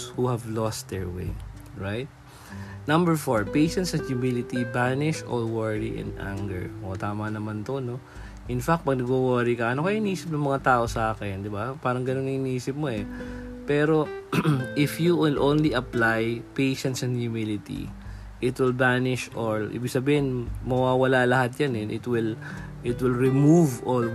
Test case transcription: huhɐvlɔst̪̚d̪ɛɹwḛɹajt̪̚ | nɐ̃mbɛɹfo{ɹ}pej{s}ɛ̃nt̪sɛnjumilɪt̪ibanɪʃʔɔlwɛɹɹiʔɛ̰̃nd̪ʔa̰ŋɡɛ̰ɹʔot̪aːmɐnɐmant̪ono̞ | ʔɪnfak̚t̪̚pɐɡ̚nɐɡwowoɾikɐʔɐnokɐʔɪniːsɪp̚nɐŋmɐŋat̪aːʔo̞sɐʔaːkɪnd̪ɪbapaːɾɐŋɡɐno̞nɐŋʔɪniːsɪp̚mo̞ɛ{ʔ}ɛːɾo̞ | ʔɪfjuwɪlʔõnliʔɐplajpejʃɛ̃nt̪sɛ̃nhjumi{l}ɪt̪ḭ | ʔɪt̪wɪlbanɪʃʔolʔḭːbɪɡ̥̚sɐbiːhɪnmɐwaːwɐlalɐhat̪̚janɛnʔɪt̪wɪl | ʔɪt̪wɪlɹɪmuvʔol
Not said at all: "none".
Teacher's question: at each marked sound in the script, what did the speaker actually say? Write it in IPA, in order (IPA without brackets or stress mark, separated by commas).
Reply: ɹ, ʃ, p, l